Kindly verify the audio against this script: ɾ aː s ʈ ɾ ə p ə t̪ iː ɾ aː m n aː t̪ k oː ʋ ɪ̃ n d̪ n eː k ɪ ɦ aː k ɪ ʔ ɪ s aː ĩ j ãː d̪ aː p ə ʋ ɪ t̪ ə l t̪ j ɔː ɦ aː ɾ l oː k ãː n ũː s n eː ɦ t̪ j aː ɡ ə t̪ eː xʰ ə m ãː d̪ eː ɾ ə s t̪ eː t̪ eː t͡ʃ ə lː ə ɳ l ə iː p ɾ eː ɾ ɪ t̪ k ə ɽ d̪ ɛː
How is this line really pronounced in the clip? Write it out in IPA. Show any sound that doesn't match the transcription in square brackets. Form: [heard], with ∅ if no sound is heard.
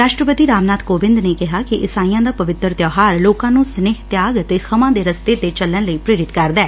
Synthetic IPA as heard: ɾ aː [ʃ] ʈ ɾ ə p ə t̪ iː ɾ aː m n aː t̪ k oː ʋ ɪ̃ n d̪ n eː k ɪ ɦ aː k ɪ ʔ ɪ s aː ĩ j ãː d̪ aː p ə ʋ ɪ t̪ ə [ɾ] t̪ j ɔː ɦ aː ɾ l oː k ãː n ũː s n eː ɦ t̪ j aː ɡ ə t̪ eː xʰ ə m ãː d̪ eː ɾ ə s t̪ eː t̪ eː t͡ʃ ə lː ə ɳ l ə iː p ɾ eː ɾ ɪ t̪ k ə [ɾ] d̪ ɛː